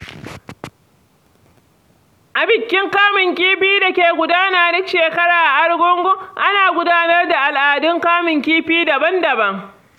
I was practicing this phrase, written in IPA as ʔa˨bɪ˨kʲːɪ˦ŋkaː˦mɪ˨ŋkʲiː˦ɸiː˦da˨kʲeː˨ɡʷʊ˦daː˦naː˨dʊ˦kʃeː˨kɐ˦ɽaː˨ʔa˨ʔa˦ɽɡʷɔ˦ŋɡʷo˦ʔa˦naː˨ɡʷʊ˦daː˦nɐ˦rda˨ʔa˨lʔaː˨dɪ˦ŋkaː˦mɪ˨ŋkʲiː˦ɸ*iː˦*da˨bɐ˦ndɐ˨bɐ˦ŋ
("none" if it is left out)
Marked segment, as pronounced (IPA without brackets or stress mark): iː˦